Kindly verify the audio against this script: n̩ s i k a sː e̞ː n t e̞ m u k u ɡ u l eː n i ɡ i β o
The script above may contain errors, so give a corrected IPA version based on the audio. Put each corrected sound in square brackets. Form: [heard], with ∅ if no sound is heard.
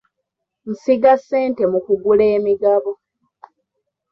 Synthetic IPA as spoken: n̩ s i [ɡ] a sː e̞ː n t e̞ m u k u ɡ u l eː [m] i ɡ [a] β o